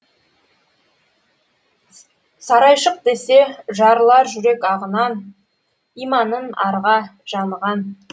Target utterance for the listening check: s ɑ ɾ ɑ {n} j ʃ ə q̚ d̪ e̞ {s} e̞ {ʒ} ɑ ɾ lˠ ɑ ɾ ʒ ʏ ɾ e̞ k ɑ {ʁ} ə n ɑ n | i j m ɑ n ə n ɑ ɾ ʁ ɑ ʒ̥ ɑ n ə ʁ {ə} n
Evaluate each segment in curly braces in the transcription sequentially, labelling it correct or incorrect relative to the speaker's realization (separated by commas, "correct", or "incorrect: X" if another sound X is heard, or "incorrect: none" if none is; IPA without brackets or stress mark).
incorrect: none, correct, correct, correct, incorrect: ɑ